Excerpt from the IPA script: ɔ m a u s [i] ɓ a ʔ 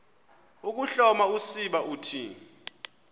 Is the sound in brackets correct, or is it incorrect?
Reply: correct